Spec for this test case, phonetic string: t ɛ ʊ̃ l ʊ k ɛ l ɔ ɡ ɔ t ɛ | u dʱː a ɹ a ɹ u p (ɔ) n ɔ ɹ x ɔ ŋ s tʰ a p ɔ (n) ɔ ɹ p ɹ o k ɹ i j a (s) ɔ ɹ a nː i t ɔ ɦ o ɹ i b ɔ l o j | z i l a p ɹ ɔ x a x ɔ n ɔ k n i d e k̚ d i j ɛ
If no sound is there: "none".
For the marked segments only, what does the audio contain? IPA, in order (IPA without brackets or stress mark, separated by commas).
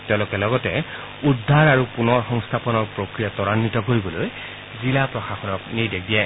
u, n, t